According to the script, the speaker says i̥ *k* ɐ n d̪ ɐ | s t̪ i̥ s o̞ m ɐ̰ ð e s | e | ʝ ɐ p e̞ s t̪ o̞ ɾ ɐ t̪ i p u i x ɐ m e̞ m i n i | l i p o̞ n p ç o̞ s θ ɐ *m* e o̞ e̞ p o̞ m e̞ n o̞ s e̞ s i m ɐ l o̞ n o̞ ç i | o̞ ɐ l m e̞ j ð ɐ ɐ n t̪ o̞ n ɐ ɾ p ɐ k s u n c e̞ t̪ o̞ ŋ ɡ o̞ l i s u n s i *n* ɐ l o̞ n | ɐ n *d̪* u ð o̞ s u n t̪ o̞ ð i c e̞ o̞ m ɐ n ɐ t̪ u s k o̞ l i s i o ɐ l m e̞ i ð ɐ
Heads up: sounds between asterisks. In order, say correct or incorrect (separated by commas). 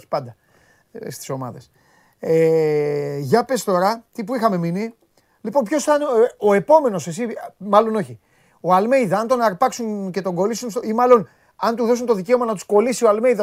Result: incorrect, incorrect, incorrect, incorrect